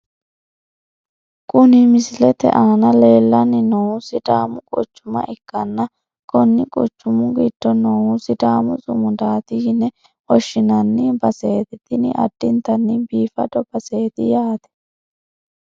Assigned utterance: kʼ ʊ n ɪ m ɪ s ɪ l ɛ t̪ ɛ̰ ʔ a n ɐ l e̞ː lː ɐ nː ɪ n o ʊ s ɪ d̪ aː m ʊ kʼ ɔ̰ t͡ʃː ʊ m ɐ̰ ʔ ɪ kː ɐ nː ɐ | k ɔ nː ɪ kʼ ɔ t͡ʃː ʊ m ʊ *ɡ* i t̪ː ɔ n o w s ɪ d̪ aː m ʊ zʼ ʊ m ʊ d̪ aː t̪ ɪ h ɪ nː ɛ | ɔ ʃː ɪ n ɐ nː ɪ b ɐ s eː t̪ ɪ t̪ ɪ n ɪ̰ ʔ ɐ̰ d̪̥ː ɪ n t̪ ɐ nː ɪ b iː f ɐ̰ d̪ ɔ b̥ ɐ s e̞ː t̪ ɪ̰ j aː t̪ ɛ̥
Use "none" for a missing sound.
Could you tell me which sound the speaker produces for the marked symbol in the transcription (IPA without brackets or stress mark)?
ɡ